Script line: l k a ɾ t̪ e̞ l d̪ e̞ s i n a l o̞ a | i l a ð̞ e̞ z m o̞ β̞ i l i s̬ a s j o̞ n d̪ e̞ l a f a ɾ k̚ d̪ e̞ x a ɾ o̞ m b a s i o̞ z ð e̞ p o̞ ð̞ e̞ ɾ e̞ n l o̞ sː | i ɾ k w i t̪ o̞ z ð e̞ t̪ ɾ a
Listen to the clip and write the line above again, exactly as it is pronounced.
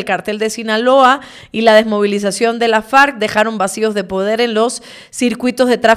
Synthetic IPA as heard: l k a ɾ t̪ e̞ l d̪ e̞ s i n a l o̞ a | i l a ð̞ e̞ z m o̞ β̞ i l i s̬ a s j o̞ n d̪ e̞ l a f a ɾ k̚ d̪ e̞ x a ɾ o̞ m b a s i o̞ z ð e̞ p o̞ ð̞ e̞ ɾ e̞ n l o̞ sː | i ɾ k w i t̪ o̞ z ð e̞ t̪ ɾ a